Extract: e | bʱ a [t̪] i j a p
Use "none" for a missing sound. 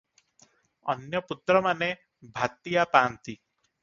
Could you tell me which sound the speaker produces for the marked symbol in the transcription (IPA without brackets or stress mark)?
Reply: t̪